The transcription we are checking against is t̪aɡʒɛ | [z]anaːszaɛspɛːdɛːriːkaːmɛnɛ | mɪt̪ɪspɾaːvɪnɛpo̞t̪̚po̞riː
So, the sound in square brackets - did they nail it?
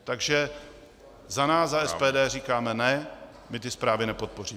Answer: yes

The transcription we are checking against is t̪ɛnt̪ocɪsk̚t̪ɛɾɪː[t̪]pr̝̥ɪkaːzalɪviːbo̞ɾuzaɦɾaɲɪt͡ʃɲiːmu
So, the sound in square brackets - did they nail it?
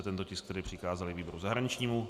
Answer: no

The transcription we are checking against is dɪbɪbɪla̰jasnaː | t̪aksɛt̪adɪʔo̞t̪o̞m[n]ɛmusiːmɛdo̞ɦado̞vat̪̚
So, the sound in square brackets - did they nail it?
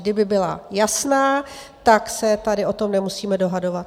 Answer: yes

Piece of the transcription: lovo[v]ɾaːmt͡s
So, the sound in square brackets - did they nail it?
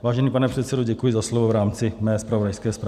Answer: yes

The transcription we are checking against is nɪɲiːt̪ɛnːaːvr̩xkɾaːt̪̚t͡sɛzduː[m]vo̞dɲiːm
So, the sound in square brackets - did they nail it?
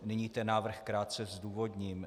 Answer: no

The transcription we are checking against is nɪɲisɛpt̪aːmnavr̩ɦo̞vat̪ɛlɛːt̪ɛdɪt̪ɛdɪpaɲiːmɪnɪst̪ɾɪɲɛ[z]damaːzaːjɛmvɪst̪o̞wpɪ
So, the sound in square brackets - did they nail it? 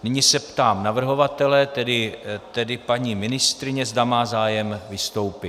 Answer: yes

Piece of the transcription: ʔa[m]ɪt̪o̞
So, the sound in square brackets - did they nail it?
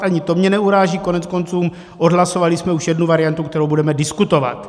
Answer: no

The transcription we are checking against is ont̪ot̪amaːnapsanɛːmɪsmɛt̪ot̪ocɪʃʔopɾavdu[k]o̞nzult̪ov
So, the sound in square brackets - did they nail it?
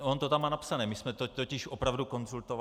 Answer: yes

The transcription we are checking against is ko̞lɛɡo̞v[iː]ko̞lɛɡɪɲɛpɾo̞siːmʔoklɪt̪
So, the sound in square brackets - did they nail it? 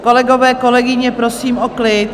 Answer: no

